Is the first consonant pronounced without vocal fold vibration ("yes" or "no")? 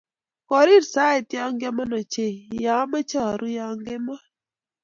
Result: yes